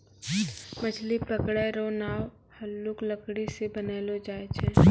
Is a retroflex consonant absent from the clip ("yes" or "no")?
no